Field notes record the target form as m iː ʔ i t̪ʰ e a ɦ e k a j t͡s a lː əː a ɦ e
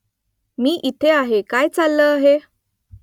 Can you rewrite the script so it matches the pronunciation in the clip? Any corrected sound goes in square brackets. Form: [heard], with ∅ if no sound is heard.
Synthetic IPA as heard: m iː ʔ i t̪ʰ e a ɦ e k a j t͡s a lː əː a ɦ e